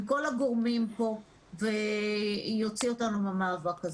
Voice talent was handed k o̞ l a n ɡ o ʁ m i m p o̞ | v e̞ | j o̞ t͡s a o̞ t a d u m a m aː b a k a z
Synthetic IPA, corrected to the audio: k o̞ l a ɡ o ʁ m i m p o̞ | v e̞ | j o̞ t͡s i o̞ t a n u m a m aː v a k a z